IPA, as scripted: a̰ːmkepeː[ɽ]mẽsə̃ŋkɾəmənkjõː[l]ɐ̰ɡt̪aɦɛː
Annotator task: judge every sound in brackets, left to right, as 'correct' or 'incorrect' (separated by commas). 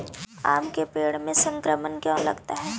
correct, correct